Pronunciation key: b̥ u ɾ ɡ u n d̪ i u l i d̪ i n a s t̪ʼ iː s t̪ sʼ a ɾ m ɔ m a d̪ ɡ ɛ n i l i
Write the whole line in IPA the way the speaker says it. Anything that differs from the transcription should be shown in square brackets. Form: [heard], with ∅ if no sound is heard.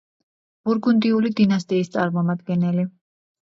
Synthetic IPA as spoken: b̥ u ɾ ɡ u n d̪ i u l i d̪ i n a s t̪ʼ iː s t̪ sʼ a ɾ m ɔ m a d̪ ɡ ɛ n [ɛ] l i